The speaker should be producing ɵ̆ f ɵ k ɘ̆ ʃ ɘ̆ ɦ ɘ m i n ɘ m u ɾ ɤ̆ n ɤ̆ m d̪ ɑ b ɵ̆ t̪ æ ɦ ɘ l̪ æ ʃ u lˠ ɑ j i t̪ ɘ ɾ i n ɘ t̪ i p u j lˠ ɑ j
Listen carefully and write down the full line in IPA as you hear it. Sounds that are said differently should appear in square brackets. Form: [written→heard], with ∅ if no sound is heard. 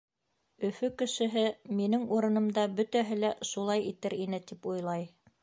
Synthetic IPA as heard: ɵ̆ f ɵ k ɘ̆ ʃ ɘ̆ ɦ ɘ m i n ɘ [m→ŋ] u ɾ ɤ̆ n ɤ̆ m d̪ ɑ b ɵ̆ t̪ æ ɦ ɘ l̪ æ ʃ u lˠ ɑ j i t̪ ɘ ɾ i n ɘ t̪ i p u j lˠ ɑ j

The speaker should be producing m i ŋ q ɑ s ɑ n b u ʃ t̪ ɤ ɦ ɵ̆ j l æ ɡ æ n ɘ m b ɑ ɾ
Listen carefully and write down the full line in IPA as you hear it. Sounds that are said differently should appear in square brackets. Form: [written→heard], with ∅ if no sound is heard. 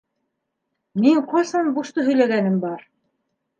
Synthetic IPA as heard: m i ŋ q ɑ s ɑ n b u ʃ t̪ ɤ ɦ ɵ̆ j l æ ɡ æ n ɘ m b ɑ ɾ

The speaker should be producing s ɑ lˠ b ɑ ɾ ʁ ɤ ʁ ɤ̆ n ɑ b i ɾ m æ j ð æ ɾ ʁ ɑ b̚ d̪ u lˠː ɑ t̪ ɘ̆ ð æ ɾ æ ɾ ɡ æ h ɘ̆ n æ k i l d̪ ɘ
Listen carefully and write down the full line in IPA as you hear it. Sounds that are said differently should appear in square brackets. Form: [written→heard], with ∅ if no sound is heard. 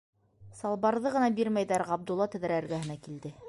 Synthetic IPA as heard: s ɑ lˠ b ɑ ɾ [ʁ→ð] ɤ ʁ ɤ̆ n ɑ b i ɾ m æ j ð æ ɾ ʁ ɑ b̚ d̪ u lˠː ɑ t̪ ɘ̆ ð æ ɾ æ ɾ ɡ æ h ɘ̆ n æ k i l d̪ ɘ

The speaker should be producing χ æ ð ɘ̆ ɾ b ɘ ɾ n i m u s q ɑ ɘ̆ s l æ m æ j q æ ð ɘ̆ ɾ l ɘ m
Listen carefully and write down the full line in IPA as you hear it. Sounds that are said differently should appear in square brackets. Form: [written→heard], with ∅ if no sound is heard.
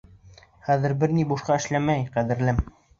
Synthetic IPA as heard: χ æ ð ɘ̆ ɾ b ɘ ɾ n i [m→b] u [s→ʃ] q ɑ ɘ̆ [s→ʃ] l æ m æ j q æ ð ɘ̆ ɾ l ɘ m

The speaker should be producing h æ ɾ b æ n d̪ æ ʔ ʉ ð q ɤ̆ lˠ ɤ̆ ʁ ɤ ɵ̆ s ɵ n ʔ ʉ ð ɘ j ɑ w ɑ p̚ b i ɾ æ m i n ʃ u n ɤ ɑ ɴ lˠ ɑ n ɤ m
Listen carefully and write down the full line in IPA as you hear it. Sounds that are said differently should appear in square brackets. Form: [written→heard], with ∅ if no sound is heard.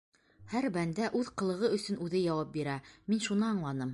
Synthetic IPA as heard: h æ ɾ b æ n d̪ æ ʔ ʉ ð q ɤ̆ lˠ ɤ̆ ʁ ɤ ɵ̆ s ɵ n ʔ ʉ ð ɘ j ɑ w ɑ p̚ b i ɾ æ m i n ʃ u n ɤ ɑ ɴ lˠ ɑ n ɤ m

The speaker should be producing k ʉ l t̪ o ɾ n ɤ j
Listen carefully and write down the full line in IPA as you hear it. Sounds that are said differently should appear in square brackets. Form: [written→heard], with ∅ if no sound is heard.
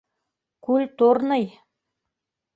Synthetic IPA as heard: k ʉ l t̪ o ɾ n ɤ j

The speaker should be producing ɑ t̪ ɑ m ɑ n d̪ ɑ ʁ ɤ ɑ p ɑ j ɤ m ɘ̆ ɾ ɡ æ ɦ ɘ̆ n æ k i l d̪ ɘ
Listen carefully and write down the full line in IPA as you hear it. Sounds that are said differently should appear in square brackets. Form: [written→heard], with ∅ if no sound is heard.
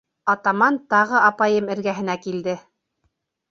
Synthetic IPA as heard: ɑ t̪ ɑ m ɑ n [d̪→t̪] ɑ ʁ ɤ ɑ p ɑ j ɤ m ɘ̆ ɾ ɡ æ ɦ ɘ̆ n æ k i l d̪ ɘ

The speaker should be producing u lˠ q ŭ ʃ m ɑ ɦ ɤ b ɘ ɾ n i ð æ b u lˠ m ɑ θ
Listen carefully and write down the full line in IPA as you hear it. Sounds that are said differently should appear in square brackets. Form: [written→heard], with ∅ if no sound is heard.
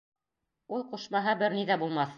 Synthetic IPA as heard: u lˠ q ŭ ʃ m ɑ ɦ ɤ b ɘ ɾ n i ð æ b u lˠ m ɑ θ

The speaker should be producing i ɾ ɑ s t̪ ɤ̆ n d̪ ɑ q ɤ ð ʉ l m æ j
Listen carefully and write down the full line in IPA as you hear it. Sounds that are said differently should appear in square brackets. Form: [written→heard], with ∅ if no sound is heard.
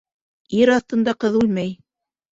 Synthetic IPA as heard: i ɾ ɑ [s→θ] t̪ ɤ̆ n d̪ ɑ q ɤ ð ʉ l m æ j

